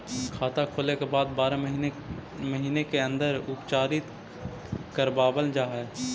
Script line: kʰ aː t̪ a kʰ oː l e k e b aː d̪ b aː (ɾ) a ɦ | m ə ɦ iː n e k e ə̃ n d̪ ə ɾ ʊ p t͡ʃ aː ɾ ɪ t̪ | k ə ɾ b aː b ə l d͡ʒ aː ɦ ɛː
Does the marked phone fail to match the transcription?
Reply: no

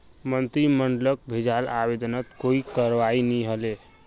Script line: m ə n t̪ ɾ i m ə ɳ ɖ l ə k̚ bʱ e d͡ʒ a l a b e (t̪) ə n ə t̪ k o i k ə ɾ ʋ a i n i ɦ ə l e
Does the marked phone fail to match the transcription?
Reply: yes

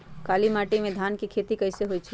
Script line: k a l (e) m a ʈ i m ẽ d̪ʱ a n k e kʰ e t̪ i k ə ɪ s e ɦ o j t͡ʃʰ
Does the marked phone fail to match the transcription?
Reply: yes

